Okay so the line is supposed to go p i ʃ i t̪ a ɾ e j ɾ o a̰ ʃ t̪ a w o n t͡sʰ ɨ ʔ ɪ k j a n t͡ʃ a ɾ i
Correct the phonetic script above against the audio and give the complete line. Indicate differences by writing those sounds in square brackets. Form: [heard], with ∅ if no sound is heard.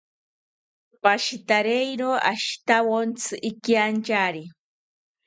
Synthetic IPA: p [a] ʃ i t̪ a ɾ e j ɾ o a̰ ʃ t̪ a w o n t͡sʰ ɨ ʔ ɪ k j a n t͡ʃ a ɾ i